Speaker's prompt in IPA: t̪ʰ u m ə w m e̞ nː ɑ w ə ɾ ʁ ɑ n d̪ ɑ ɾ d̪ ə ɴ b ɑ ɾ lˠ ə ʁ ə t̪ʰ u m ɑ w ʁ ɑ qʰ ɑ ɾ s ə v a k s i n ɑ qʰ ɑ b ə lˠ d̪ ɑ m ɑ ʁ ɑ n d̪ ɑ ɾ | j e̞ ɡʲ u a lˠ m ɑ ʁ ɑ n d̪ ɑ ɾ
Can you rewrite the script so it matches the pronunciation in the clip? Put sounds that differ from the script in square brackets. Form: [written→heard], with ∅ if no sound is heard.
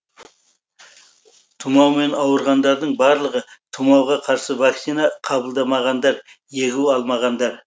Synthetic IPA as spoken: t̪ʰ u m [ə→ɑ] w m e̞ [nː→n] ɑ w ə ɾ ʁ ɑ n d̪ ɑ ɾ d̪ ə ɴ b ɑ ɾ lˠ ə ʁ ə t̪ʰ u m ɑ w ʁ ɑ qʰ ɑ ɾ s ə v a k s i n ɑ qʰ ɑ b ə lˠ d̪ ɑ m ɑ ʁ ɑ n d̪ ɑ ɾ | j e̞ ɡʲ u [a→ɑ] lˠ m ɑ ʁ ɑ n d̪ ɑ ɾ